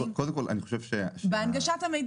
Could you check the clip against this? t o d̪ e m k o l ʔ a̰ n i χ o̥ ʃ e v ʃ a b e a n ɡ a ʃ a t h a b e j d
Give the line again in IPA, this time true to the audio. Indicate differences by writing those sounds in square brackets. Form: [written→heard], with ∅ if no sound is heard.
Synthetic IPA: [t→k] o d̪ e m k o l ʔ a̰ n i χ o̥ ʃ e v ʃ [a→e] b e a n ɡ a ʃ a t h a [b→m] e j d